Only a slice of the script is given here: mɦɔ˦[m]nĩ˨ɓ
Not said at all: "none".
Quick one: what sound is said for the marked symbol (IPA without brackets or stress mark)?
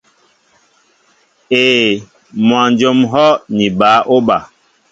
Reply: none